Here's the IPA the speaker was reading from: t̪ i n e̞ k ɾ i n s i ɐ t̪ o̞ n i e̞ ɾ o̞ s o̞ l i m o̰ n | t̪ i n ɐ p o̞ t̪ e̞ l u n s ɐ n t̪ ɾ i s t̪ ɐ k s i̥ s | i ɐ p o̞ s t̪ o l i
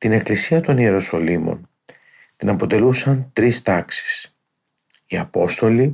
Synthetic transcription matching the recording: t̪ i n e̞ k l i s i ɐ t̪ o̞ n i e̞ ɾ o̞ s o̞ l i m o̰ n | t̪ i n ɐ p o̞ t̪ e̞ l u s ɐ n t̪ ɾ i s t̪ ɐ k s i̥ s | i ɐ p o̞ s t̪ o l i